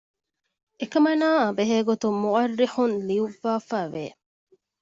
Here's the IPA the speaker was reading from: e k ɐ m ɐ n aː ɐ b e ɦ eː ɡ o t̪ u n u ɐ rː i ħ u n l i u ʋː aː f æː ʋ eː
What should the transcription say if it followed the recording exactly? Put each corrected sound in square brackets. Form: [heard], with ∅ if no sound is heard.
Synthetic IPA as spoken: e k ɐ m ɐ n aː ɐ b e ɦ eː ɡ o t̪ u [m] u ɐ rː i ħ u n l i u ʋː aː f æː ʋ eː